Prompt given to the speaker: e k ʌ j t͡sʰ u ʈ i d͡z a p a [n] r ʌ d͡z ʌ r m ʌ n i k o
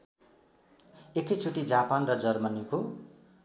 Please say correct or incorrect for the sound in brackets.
correct